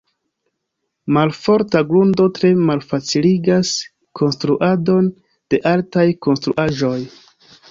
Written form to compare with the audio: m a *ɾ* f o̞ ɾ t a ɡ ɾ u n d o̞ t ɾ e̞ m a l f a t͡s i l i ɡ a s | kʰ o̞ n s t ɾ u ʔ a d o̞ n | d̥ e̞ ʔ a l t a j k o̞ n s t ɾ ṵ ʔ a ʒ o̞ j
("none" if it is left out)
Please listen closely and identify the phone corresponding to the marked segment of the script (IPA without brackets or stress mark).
l